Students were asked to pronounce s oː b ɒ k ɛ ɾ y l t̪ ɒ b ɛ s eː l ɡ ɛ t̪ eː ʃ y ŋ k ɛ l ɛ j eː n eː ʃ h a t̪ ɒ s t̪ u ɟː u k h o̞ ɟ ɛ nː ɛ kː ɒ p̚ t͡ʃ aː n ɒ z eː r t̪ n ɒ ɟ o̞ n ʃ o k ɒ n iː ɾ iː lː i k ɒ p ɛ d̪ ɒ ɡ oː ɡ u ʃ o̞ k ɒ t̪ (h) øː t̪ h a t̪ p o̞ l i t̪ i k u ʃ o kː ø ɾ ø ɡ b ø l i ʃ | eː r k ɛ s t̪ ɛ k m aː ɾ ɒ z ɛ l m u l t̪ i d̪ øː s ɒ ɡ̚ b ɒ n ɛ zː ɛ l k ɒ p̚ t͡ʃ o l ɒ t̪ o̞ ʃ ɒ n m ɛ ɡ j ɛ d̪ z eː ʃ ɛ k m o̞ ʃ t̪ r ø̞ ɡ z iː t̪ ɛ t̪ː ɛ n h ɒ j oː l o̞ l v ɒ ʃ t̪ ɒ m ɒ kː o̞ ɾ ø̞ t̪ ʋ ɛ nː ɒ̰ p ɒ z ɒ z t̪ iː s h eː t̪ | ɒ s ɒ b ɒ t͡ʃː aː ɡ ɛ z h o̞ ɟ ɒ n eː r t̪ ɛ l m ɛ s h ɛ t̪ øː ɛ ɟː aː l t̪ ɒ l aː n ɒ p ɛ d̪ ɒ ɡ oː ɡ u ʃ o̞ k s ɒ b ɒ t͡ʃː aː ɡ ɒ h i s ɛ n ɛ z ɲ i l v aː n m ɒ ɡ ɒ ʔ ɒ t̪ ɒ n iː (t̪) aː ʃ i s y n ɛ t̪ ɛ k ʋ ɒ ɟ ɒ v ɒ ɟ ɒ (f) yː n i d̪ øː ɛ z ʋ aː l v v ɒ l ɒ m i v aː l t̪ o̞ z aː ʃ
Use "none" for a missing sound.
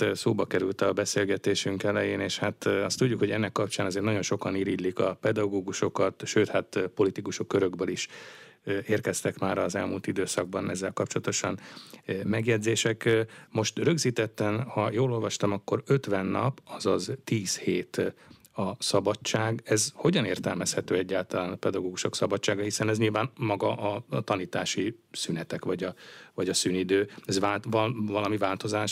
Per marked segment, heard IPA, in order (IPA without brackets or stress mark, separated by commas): ʃ, t̪, s